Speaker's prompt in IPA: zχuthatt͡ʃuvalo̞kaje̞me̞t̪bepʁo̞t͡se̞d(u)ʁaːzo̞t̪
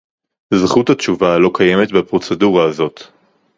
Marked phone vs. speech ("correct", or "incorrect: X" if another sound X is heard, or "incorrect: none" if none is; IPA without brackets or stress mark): correct